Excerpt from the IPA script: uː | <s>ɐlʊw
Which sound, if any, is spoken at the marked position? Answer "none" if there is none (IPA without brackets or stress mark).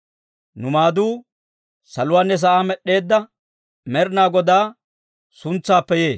s